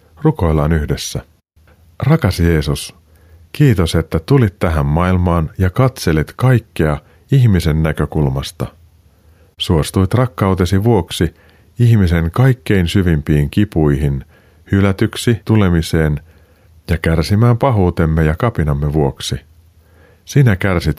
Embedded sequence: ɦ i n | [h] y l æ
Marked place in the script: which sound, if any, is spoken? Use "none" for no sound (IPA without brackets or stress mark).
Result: h